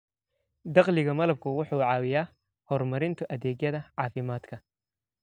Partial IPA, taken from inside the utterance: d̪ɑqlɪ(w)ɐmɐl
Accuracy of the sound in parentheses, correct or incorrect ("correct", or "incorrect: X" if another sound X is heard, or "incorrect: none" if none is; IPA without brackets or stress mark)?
incorrect: ɣ